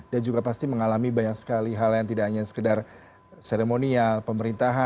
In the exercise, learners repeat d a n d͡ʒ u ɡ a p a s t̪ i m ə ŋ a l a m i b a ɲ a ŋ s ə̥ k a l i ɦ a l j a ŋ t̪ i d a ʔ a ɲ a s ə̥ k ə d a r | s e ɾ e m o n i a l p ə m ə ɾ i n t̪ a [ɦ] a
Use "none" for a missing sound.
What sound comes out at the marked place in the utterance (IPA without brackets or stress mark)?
ɦ